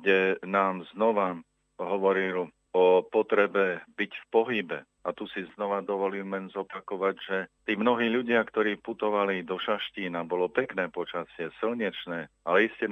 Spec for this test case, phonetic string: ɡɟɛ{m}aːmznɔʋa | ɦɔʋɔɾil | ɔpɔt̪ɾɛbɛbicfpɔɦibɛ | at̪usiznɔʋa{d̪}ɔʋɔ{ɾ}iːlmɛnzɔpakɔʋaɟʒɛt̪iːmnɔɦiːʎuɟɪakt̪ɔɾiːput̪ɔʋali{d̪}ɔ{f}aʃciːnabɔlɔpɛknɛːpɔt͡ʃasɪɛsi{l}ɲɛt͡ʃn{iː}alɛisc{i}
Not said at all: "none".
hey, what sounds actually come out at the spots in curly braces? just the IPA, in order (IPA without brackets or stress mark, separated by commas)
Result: n, d̪, l, d̪, ʃ, l, ɛː, ɛ